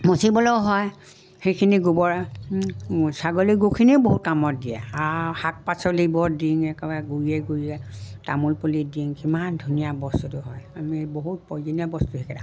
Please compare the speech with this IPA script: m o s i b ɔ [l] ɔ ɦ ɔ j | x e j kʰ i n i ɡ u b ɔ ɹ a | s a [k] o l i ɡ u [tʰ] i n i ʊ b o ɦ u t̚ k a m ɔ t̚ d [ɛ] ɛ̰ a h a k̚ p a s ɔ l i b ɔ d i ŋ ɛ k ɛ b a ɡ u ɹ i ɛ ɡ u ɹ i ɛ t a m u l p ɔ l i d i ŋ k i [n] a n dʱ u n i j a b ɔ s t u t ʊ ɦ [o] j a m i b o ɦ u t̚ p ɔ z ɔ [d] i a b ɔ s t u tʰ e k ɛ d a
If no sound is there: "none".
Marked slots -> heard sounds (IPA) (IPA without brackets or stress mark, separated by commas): l, ɡ, kʰ, i, m, ɔ, n